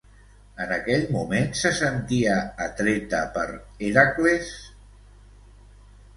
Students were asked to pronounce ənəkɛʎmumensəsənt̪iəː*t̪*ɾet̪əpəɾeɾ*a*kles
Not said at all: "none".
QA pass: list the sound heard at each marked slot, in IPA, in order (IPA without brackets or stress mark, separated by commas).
t̪, a